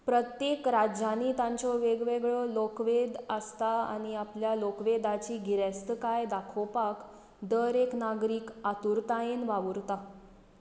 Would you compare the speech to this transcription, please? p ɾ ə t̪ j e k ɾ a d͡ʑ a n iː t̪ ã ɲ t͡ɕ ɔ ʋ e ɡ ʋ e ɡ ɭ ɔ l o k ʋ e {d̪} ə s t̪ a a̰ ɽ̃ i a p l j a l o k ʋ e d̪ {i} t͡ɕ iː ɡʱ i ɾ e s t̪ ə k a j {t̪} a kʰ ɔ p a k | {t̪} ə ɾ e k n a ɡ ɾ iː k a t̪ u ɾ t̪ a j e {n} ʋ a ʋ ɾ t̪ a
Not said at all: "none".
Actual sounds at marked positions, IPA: d̪, a, d̪, d̪, n

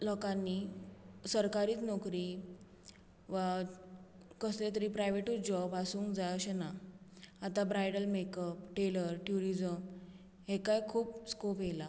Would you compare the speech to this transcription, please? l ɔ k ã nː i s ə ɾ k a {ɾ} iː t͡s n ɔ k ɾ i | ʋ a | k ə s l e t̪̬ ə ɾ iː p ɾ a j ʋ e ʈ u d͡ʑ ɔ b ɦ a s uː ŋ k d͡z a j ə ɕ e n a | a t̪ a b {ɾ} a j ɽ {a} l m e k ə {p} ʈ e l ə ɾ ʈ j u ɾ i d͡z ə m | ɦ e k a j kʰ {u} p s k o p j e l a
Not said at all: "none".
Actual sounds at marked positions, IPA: ɾ, ɾ, ə, p, uː

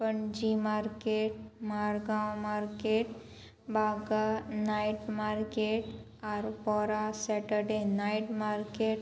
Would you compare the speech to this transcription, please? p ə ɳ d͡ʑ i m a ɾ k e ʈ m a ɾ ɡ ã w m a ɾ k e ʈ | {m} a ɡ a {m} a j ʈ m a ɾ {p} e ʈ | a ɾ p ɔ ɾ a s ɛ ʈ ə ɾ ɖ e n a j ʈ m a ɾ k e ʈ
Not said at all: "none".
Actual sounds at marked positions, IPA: b, n, k

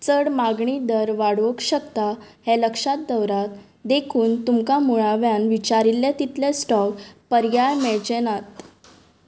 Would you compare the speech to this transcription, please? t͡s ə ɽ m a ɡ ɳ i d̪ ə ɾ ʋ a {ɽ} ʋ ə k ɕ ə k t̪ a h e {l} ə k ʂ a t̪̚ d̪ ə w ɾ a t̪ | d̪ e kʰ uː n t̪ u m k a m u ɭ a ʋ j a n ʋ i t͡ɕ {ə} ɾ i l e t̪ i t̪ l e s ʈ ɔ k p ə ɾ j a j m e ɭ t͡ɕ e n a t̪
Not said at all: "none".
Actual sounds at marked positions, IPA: ɽ, l, a

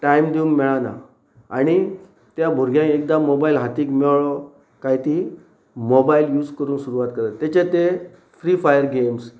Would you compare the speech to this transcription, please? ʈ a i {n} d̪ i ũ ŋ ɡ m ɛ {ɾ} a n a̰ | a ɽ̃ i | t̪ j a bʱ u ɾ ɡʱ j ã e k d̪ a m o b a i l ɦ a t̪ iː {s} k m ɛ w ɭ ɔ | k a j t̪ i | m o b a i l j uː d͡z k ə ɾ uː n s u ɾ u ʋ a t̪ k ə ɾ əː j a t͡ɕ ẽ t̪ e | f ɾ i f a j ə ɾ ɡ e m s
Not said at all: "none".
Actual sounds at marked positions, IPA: m, ɭ, none

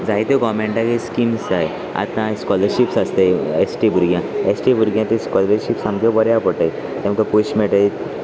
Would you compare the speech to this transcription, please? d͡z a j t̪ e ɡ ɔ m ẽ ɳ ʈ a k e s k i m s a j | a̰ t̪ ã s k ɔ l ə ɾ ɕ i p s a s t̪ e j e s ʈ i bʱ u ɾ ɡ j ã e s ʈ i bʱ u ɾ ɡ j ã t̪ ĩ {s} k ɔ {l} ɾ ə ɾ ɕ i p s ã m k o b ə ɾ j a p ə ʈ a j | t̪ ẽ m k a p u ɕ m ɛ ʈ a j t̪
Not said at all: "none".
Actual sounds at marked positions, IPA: s, l

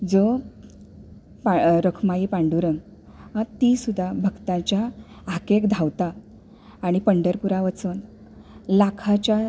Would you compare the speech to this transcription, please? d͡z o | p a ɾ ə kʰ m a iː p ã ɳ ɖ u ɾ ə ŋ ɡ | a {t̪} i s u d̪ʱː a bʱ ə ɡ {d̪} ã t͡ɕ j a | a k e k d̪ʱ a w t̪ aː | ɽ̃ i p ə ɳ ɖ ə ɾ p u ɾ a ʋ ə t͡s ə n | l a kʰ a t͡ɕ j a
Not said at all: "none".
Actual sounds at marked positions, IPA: t̪, t̪

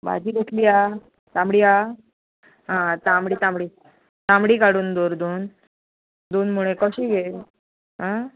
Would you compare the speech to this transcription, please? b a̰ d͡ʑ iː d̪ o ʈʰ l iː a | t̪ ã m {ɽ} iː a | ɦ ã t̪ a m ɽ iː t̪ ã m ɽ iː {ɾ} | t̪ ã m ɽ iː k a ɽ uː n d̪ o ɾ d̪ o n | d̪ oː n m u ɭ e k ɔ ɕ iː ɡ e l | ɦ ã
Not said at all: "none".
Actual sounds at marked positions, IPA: ɽ, none

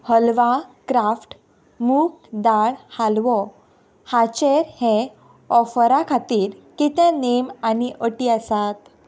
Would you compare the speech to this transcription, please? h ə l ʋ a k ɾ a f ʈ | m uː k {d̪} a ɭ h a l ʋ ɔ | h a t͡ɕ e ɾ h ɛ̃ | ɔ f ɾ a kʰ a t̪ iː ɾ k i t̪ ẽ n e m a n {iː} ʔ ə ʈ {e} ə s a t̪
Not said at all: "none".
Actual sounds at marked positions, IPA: d̪, i, i

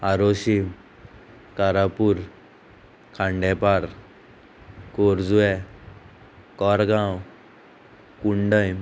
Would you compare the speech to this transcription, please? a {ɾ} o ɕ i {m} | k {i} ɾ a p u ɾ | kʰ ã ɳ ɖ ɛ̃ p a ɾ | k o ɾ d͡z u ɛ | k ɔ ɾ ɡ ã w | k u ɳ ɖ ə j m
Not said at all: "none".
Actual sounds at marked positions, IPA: ɾ, m, a

